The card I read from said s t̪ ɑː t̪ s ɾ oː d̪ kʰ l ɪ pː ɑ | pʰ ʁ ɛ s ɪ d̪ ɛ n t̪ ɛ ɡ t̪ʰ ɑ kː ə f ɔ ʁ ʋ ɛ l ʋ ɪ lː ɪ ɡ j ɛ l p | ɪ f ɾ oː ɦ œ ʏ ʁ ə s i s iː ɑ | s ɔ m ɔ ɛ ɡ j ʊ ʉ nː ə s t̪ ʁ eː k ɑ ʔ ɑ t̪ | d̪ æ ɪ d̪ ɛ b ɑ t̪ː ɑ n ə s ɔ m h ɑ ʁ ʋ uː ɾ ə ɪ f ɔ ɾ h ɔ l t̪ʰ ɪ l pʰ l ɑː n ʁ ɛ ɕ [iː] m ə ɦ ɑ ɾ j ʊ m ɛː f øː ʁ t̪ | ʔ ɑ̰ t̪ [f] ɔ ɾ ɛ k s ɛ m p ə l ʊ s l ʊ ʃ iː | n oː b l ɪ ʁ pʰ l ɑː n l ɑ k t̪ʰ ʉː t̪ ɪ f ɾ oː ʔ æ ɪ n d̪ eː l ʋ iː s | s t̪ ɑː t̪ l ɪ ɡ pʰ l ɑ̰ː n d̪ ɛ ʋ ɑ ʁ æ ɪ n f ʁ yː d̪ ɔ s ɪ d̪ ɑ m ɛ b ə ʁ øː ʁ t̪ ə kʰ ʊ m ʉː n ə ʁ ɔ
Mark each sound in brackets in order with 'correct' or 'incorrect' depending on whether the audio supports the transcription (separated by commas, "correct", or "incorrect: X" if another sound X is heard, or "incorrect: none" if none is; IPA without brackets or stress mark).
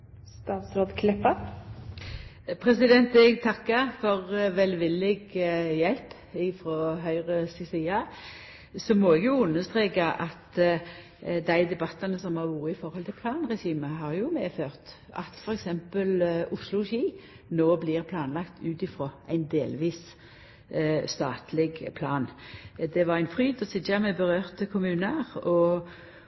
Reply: correct, correct